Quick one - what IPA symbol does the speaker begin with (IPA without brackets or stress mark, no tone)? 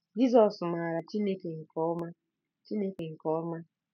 d͡ʒ